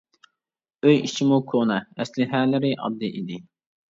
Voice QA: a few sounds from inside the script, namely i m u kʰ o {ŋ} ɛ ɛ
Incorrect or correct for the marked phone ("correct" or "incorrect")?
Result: incorrect